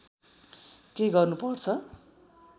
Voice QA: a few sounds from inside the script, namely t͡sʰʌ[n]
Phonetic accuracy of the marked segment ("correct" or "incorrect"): incorrect